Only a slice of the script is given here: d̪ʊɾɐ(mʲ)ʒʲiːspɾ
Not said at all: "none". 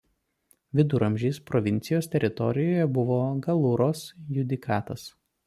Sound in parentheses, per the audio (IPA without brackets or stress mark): mʲ